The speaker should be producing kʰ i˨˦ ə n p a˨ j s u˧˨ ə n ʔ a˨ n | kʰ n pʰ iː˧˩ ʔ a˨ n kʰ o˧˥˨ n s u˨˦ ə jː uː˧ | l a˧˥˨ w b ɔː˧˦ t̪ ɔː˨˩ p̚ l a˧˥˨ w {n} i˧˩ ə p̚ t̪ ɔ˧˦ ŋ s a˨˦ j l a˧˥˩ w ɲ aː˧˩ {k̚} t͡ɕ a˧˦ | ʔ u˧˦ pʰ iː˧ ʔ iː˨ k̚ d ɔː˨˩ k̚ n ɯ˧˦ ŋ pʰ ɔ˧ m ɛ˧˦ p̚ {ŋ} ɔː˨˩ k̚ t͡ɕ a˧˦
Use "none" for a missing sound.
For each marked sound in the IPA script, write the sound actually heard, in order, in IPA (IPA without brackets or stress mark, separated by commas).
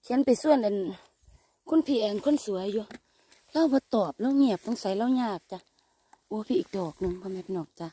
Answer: ŋ, k̚, n